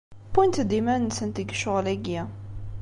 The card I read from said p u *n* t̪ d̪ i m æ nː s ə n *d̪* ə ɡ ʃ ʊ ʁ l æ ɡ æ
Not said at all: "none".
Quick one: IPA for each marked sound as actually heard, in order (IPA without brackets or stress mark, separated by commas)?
n, t̪